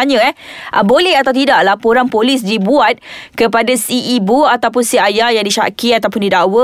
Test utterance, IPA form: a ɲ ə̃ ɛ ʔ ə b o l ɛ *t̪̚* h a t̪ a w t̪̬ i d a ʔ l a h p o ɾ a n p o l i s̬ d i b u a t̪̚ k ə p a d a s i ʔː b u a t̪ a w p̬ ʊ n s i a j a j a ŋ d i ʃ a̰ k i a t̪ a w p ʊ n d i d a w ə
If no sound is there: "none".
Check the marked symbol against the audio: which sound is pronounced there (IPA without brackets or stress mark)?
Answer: none